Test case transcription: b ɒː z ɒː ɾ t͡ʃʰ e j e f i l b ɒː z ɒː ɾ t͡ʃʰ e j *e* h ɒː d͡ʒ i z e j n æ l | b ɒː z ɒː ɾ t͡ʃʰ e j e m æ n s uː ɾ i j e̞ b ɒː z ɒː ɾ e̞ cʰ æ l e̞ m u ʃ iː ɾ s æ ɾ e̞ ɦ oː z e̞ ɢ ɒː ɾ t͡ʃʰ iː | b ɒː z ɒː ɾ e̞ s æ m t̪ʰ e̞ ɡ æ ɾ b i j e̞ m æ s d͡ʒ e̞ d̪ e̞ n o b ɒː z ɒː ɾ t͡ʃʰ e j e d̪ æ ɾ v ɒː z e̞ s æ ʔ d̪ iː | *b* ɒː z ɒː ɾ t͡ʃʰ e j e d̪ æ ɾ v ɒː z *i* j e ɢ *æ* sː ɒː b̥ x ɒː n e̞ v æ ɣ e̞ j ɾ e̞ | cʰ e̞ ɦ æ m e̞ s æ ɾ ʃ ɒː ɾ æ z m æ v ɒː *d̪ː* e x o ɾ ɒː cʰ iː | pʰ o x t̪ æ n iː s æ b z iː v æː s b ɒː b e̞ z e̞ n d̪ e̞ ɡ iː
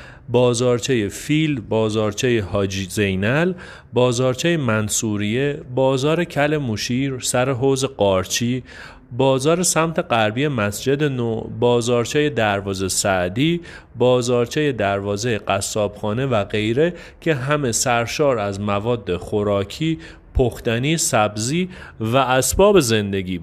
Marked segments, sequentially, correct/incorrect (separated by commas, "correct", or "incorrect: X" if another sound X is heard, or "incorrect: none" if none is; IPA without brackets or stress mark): correct, correct, incorrect: e, correct, correct